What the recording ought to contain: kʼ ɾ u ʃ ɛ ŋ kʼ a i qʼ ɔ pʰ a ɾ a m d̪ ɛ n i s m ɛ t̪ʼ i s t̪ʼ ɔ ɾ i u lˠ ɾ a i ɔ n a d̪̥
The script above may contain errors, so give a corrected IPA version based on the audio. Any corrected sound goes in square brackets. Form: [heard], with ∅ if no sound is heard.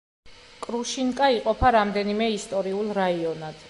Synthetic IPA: kʼ ɾ u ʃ [i] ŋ kʼ a i qʼ ɔ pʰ a ɾ a m d̪ ɛ n i [∅] m ɛ [∅] i s t̪ʼ ɔ ɾ i u lˠ ɾ a i ɔ n a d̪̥